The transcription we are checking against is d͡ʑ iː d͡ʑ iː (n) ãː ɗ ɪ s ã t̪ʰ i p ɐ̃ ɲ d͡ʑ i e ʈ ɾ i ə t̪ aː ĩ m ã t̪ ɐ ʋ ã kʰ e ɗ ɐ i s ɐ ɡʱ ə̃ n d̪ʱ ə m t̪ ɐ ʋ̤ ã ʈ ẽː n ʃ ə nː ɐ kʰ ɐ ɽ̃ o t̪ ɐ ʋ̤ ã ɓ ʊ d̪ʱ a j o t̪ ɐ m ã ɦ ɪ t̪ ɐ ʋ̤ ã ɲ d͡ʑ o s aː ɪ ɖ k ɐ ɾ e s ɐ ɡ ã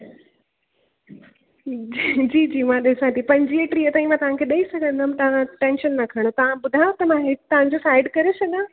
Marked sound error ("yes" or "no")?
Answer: yes